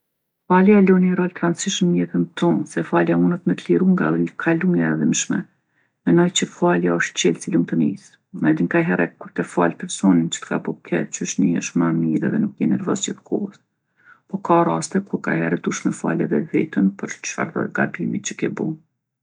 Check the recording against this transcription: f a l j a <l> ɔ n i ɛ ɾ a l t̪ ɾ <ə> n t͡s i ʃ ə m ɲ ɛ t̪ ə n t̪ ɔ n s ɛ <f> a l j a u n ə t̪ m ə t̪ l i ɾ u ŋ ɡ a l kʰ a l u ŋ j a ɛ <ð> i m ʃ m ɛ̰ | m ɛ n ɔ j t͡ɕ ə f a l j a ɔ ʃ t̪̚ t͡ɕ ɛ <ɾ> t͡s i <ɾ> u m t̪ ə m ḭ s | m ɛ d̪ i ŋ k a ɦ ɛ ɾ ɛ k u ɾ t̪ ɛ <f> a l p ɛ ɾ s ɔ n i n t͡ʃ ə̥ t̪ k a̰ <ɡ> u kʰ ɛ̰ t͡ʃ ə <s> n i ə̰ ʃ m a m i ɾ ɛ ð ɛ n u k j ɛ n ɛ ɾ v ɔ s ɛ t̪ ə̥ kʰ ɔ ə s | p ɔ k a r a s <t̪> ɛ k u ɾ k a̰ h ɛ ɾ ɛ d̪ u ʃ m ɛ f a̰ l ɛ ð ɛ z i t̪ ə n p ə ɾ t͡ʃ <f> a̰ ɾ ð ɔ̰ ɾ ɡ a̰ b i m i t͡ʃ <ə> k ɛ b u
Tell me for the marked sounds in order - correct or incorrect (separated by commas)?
correct, incorrect, correct, correct, incorrect, incorrect, correct, incorrect, incorrect, correct, correct, correct